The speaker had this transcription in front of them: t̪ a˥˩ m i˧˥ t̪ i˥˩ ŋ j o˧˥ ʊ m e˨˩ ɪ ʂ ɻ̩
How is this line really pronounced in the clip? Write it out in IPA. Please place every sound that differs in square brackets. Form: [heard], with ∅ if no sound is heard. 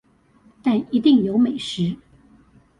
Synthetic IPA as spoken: t̪ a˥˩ [n] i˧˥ t̪ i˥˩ ŋ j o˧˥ ʊ m e˨˩ ɪ ʂ ɻ̩